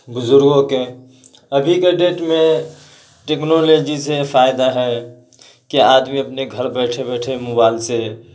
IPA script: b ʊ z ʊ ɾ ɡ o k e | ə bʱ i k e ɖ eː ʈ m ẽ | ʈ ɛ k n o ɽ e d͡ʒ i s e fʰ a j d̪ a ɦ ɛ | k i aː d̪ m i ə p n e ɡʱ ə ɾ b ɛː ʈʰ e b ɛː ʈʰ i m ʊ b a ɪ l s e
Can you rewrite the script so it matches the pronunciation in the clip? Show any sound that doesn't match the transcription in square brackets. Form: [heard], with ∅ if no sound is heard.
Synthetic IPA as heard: b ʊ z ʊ ɾ ɡ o k e | ə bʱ i k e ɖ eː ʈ m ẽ | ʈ [e] k n o [l] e d͡ʒ i s e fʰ a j d̪ a ɦ ɛ | k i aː d̪ m i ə p n e ɡʱ ə ɾ b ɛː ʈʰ e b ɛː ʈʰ [e] m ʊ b a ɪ l s e